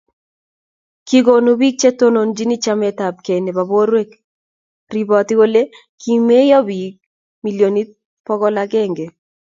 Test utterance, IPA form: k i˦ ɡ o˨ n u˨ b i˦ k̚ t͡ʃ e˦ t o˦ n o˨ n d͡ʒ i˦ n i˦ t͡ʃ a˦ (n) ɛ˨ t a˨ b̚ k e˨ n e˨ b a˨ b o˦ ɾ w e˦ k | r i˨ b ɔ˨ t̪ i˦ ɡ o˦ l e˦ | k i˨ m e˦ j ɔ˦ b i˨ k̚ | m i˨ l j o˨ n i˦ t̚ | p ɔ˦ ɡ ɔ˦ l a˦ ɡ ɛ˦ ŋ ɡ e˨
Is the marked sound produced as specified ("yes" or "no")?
no